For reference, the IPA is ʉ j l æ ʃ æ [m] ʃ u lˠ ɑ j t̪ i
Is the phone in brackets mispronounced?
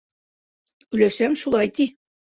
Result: no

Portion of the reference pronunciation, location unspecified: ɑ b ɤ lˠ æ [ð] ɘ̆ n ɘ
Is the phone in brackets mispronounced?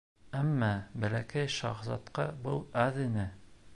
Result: no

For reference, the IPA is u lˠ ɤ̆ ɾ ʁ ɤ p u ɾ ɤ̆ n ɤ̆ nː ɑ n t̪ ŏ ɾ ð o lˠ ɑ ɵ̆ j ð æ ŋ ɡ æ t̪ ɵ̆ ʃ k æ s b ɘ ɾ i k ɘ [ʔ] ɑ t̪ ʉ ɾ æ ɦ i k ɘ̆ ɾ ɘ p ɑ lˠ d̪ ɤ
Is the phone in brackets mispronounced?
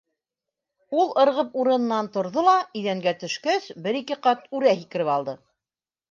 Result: yes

